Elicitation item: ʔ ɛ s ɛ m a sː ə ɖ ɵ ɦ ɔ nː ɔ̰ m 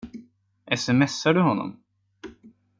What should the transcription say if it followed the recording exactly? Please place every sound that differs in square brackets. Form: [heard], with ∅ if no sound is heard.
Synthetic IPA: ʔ ɛ s ɛ m [ɛ] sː [a] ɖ ɵ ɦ ɔ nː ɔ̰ m